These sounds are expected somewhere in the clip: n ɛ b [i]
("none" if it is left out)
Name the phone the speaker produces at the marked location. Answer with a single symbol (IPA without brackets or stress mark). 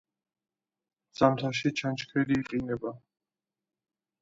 a